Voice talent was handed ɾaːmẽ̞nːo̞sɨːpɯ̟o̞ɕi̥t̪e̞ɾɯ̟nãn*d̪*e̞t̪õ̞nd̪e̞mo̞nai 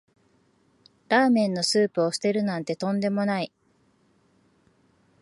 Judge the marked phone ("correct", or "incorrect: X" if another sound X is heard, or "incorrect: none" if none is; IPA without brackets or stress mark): incorrect: t̪